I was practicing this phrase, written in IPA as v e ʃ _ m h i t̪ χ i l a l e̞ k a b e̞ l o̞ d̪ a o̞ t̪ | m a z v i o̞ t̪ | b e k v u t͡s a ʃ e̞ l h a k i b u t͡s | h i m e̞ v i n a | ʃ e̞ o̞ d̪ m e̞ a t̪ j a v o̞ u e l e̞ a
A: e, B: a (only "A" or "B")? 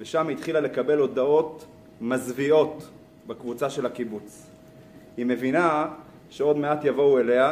B